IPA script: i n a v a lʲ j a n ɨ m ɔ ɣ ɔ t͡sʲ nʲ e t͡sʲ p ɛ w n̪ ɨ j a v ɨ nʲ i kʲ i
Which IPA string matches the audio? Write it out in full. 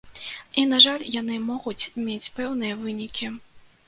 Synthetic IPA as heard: i n a ʐ a lʲ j a n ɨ m ɔ ɣ u t͡sʲ mʲ e t͡sʲ p ɛ w n̪ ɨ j ɐ v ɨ nʲ i kʲ i